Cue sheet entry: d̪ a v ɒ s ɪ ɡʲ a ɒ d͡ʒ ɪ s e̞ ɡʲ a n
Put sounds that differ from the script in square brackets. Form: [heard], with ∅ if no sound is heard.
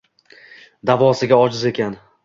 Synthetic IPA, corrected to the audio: d̪ a v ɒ s ɪ ɡʲ a ɒ d͡ʒ ɪ [z] e̞ [kʲ] a n

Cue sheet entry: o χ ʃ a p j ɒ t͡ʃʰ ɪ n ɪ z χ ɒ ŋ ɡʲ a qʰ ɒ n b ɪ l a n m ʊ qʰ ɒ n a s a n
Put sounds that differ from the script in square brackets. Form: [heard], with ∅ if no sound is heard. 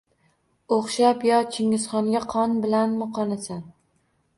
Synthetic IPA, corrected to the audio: o χ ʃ a p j ɒ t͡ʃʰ ɪ [ŋ] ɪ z χ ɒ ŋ ɡʲ a qʰ ɒ n b ɪ l a n m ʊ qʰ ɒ n a s a n

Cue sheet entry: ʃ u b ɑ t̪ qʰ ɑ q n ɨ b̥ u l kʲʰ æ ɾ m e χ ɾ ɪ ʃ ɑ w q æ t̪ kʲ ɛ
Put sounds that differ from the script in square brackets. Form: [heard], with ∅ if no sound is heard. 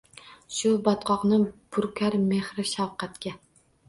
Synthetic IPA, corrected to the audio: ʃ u b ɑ t̪ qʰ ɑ q n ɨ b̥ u [ɾ] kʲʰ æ ɾ m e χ ɾ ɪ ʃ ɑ w q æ t̪ kʲ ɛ

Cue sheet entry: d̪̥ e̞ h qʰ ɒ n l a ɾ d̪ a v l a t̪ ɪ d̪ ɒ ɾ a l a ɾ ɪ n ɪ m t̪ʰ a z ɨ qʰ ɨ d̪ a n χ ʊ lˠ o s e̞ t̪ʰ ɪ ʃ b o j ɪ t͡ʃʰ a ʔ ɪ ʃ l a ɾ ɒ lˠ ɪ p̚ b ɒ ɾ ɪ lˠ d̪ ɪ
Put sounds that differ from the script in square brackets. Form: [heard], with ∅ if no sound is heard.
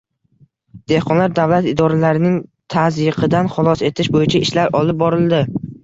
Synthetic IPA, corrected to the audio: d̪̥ e̞ h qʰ ɒ n l a ɾ d̪ a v l a t̪ ɪ d̪ ɒ ɾ a l a ɾ ɪ n ɪ [ŋ] t̪ʰ a z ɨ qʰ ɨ d̪ a n χ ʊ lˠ [ɒ] s e̞ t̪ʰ ɪ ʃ b o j ɪ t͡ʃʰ a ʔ ɪ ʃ l a ɾ ɒ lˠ ɪ p̚ b ɒ ɾ ɪ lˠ d̪ ɪ

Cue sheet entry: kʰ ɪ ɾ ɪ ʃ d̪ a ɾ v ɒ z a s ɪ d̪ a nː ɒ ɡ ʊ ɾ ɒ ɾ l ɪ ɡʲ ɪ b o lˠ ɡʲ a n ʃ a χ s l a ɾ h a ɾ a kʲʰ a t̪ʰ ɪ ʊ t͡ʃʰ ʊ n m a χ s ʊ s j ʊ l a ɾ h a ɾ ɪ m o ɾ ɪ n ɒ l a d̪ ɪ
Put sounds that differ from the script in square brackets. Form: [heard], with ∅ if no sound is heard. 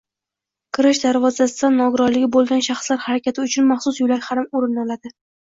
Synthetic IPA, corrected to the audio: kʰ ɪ ɾ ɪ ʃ d̪ a ɾ v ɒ z a s ɪ d̪ a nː ɒ ɡ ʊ ɾ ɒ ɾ l ɪ ɡʲ ɪ b o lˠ ɡʲ a n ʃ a χ s l a ɾ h a ɾ a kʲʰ a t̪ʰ ɪ ʊ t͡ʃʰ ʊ n m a χ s ʊ s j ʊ l a ɾ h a ɾ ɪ m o ɾ ɪ n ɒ l a d̪ ɪ

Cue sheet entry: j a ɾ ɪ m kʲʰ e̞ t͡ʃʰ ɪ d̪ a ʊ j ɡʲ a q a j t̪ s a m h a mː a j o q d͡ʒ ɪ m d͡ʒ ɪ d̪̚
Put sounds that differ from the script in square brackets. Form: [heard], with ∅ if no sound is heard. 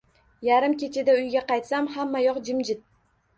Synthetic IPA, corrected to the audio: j a ɾ ɪ m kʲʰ e̞ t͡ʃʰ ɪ d̪ a ʊ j ɡʲ a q [ɑ] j t̪ s a m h a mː a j [ɒ] q d͡ʒ ɪ m d͡ʒ ɪ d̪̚

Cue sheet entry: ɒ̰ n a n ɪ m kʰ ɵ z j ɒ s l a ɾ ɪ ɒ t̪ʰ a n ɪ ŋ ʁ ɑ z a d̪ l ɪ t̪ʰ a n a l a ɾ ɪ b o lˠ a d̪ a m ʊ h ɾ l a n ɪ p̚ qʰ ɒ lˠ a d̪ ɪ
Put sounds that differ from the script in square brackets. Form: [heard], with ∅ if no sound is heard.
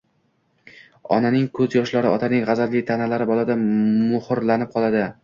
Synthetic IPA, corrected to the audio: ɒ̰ n a n ɪ [ŋ] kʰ ɵ z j ɒ [ʃ] l a ɾ ɪ ɒ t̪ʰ a n ɪ ŋ ʁ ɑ z a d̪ l ɪ t̪ʰ a n a l a ɾ ɪ b [ɒ] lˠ a d̪ a m ʊ h ɾ l a n ɪ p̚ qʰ ɒ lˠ a d̪ ɪ

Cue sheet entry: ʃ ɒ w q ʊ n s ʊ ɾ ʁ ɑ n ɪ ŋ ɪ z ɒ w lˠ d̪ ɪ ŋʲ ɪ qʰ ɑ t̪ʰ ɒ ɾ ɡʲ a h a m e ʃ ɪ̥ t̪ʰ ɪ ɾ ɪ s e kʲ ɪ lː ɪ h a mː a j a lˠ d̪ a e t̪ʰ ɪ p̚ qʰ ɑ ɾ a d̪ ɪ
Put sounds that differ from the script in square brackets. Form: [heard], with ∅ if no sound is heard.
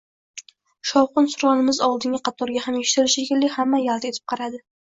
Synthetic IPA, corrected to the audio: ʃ ɒ w q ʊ n s ʊ ɾ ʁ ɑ n ɪ [m] ɪ z ɒ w lˠ d̪ ɪ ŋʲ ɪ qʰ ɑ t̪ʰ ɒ ɾ ɡʲ a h a m e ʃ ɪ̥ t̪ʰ ɪ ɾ ɪ [ʃ] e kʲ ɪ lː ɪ h a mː a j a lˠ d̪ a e t̪ʰ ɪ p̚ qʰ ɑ ɾ a d̪ ɪ

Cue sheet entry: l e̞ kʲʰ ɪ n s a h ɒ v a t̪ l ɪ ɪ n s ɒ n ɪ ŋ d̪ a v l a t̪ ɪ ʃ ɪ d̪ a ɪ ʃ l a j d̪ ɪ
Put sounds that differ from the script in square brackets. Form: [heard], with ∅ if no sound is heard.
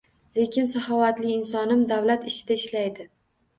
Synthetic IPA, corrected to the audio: l e̞ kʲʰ ɪ n s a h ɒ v a t̪ l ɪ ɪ n s ɒ n ɪ [m] d̪ a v l a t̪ ɪ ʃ ɪ d̪ a ɪ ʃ l a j d̪ ɪ

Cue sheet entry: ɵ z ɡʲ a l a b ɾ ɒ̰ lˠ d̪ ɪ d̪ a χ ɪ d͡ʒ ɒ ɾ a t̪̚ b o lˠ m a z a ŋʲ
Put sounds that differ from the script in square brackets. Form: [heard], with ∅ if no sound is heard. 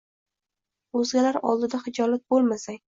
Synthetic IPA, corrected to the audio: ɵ z ɡʲ a l a [∅] ɾ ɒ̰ lˠ d̪ ɪ d̪ a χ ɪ d͡ʒ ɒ [l] a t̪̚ b o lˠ m a [s] a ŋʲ

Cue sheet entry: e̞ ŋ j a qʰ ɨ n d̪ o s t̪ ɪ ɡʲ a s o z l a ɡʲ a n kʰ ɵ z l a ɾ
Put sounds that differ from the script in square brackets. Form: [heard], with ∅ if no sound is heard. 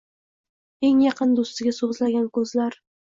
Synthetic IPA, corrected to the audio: e̞ ŋ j [ɑ] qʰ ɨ n d̪ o s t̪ ɪ ɡʲ a s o z l a ɡʲ a n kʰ ɵ z l a ɾ

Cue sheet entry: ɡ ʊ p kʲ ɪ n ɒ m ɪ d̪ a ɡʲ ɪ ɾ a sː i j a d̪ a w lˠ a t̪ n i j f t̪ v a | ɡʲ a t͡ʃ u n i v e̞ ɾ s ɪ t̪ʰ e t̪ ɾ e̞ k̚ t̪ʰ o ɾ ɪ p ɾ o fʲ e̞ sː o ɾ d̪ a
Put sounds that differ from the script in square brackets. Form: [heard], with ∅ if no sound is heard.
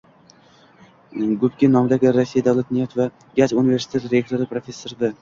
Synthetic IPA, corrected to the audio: ɡ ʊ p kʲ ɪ n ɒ m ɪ d̪ a ɡʲ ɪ ɾ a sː i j a d̪ a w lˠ a t̪ n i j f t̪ v a | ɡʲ a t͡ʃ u n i v e̞ ɾ s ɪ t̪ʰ e t̪ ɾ e̞ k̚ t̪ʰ o ɾ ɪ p ɾ o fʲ e̞ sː o ɾ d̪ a

